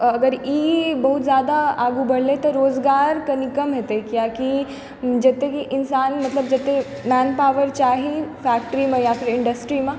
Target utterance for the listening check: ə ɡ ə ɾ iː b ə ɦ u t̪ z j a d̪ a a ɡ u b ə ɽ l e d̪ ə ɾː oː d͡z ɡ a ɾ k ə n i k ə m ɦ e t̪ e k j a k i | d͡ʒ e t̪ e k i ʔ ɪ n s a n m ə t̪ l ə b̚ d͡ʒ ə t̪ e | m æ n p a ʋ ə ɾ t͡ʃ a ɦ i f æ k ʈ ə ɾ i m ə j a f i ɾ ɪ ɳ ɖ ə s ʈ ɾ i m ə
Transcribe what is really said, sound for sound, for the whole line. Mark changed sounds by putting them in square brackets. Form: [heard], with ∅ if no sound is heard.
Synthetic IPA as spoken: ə ɡ ə ɾ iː b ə ɦ u t̪ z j a d̪ a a ɡ u b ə ɽ l e [t̪] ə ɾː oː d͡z ɡ a ɾ k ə n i k ə m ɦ e t̪ e k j a k i | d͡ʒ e t̪ e k i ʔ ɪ n s a n m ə t̪ l ə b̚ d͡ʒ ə t̪ e | m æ n p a ʋ ə ɾ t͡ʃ a ɦ i f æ k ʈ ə ɾ i m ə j a f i ɾ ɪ ɳ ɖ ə s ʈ ɾ i m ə

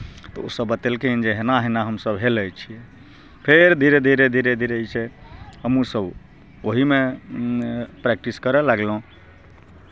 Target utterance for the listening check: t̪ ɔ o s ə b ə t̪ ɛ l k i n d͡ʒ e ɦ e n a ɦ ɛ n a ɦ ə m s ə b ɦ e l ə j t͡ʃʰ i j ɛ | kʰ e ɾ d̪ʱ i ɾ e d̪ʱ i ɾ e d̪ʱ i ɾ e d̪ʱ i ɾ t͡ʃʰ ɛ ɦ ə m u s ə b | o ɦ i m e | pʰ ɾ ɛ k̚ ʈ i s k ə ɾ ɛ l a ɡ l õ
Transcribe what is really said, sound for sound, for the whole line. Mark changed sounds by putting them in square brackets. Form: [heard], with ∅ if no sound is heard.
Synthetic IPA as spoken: t̪ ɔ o s ə b ə t̪ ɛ l k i n d͡ʒ e ɦ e n a ɦ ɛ n a ɦ ə m s ə b ɦ e l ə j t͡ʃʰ i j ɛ | [pʰ] e ɾ d̪ʱ i ɾ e d̪ʱ i ɾ e d̪ʱ i ɾ e d̪ʱ i ɾ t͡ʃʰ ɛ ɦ ə m u s ə b | o ɦ i m e | [p] ɾ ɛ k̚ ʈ i s k ə ɾ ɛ l a ɡ l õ

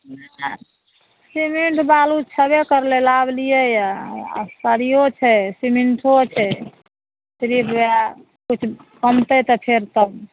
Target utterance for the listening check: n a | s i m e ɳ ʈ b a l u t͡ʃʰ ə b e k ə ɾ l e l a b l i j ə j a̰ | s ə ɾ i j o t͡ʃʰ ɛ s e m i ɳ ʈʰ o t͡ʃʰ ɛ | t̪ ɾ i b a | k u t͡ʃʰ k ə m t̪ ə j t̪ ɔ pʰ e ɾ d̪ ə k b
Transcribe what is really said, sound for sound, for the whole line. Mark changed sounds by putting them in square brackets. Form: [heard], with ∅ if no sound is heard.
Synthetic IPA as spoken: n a | s i m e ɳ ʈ b a l u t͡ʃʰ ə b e k ə ɾ l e l a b l i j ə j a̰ | s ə ɾ i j o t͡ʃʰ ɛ s [i] m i ɳ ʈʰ o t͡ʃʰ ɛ | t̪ ɾ i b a | k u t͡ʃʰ k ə m t̪ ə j t̪ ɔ pʰ e ɾ [t̪] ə [∅] b

